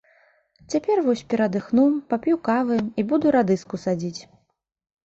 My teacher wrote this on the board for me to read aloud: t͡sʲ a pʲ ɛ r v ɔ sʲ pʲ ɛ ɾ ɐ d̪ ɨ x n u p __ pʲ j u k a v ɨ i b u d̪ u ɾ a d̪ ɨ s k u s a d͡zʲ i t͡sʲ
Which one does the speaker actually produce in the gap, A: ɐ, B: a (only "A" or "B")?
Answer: B